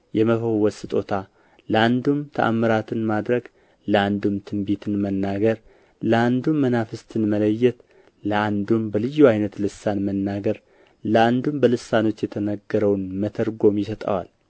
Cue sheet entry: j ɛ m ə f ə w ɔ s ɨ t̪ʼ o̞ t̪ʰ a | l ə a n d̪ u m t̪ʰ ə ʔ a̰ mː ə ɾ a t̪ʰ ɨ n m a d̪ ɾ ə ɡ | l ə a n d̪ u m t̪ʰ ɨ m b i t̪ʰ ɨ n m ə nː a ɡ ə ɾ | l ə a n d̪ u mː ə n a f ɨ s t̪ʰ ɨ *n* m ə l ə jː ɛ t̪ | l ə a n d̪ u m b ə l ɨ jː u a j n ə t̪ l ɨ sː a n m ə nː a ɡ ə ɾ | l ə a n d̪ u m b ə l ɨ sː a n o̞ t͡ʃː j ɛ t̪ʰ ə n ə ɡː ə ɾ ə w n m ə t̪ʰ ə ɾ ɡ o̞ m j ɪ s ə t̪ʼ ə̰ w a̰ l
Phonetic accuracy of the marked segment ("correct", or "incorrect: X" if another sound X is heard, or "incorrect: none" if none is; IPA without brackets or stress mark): correct